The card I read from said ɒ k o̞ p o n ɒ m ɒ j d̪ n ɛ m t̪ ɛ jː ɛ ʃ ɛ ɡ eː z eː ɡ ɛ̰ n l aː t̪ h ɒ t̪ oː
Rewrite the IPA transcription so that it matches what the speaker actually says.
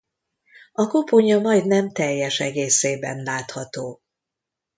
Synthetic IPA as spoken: ɒ k o̞ p o ɲ ɒ m ɒ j d̪ n ɛ m t̪ ɛ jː ɛ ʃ ɛ ɡ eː s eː b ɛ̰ n l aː t̪ h ɒ t̪ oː